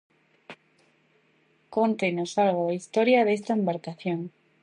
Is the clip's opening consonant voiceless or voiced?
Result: voiceless